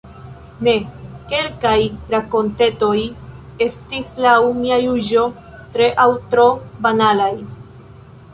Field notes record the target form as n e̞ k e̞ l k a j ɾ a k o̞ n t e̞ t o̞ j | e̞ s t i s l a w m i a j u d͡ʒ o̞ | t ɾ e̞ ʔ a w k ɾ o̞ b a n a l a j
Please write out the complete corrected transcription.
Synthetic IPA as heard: n e̞ k e̞ l k a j ɾ a k o̞ n t e̞ t o̞ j | e̞ s t i s l a w m i a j u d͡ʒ o̞ | t ɾ e̞ ʔ a w t ɾ o̞ b a n a l a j

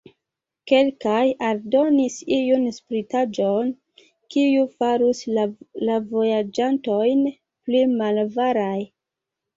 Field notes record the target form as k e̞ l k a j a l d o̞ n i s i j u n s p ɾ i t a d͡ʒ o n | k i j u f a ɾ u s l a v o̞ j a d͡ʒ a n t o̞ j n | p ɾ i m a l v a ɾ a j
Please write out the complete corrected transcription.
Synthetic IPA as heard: k e̞ l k a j a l d o̞ n i s i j u n s p ɾ i t a d͡ʒ o n | k i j u f a ɾ u s l a v o̞ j a d͡ʒ a n t o̞ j n | p l i m a l v a ɾ a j

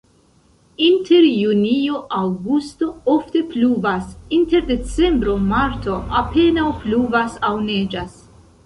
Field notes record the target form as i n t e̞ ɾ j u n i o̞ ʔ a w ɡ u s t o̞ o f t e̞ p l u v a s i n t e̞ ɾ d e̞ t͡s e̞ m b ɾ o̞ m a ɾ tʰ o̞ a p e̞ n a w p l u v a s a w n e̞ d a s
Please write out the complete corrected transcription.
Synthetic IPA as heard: i n t e̞ ɾ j u n i o̞ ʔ a w ɡ u s t o̞ o f t e̞ p l u v a s i n t e̞ ɾ d e̞ t͡s e̞ m b ɾ o̞ m a ɾ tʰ o̞ a p e̞ n a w p l u v a s a w n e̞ d͡ʒ a s

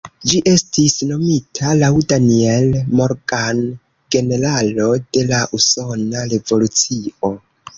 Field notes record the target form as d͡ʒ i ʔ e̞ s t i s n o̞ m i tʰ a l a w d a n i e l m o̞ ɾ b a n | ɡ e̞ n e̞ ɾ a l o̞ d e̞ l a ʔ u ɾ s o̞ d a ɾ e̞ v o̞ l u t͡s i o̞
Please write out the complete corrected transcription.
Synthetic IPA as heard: d͡ʒ i ʔ e̞ s t i s n o̞ m i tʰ a l a w d a n i e l m o̞ ɾ ɡ a n | ɡ e̞ n e̞ ɾ a l o̞ d e̞ l a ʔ u s o̞ n a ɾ e̞ v o̞ l u t͡s i o̞

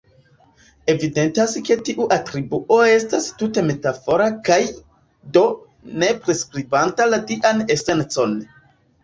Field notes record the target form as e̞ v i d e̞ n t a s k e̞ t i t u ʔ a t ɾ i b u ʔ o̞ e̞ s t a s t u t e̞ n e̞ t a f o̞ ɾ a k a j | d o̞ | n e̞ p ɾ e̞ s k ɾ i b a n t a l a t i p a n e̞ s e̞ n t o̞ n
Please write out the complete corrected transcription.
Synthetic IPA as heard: e̞ v i d e̞ n t a s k e̞ t i ʔ u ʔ a t ɾ i b u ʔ o̞ e̞ s t a s t u t e̞ m e̞ t a f o̞ ɾ a k a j | d o̞ | n e̞ p ɾ e̞ s k ɾ i b a n t a l a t i ʔ a n e̞ s e̞ n t͡s o̞ n

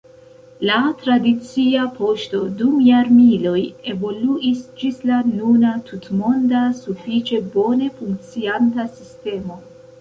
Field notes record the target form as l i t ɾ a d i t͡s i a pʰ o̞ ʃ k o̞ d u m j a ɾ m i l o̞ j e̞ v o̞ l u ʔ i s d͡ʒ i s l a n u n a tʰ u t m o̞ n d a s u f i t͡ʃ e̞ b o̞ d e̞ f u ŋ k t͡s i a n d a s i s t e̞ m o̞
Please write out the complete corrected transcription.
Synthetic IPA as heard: l a t ɾ a d i t͡s i a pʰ o̞ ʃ t o̞ d u m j a ɾ m i l o̞ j e̞ v o̞ l u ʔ i s d͡ʒ i s l a n u n a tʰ u t m o̞ n d a s u f i t͡ʃ e̞ b o̞ n e̞ f u ŋ k t͡s i a n t a s i s t e̞ m o̞

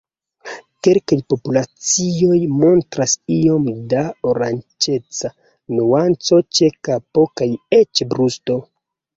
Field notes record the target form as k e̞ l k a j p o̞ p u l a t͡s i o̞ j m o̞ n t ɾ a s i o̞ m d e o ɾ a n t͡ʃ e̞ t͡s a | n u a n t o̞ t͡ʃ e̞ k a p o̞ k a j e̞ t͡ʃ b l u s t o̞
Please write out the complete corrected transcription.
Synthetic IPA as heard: k e̞ l k a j p o̞ p u l a t͡s i o̞ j m o̞ n t ɾ a s i o̞ m d a o ɾ a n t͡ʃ e̞ t͡s a | n u a n t͡s o̞ t͡ʃ e̞ k a p o̞ k a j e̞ t͡ʃ b ɾ u s t o̞

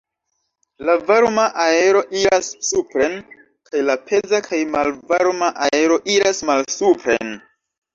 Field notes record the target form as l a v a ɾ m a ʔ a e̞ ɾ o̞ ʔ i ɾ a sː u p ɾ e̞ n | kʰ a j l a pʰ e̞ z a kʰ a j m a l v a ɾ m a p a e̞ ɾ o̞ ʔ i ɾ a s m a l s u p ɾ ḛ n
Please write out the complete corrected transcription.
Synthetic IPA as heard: l a v a ɾ m a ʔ a e̞ ɾ o̞ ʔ i ɾ a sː u p ɾ e̞ n | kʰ a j l a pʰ e̞ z a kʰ a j m a l v a ɾ m a ʔ a e̞ ɾ o̞ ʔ i ɾ a s m a l s u p ɾ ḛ n

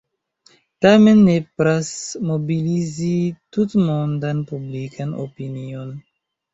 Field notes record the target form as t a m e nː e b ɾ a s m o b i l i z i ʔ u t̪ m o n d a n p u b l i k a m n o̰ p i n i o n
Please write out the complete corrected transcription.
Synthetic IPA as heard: t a m e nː e p ɾ a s m o b i l i z i t u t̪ m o n d a n p u b l i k a n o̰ p i n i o n

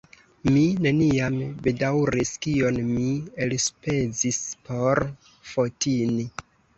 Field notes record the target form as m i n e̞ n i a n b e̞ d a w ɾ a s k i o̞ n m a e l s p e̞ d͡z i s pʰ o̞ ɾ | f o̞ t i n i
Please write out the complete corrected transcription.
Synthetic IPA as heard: m i n e̞ n i a m b e̞ d a w ɾ i s k i o̞ n m i e l s p e̞ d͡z i s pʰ o̞ ɾ | f o̞ t i n i

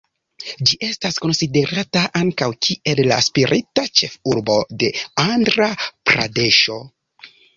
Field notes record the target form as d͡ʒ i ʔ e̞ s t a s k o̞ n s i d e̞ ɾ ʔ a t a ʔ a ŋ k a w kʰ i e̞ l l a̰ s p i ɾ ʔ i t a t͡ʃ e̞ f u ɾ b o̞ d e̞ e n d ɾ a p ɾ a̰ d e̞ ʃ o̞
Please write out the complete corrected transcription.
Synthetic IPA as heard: d͡ʒ i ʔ e̞ s t a s k o̞ n s i d e̞ ɾ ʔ a t a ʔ a ŋ k a w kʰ i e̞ l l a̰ s p i ɾ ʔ i t a t͡ʃ e̞ f u ɾ b o̞ d e̞ a n d ɾ a p ɾ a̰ d e̞ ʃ o̞

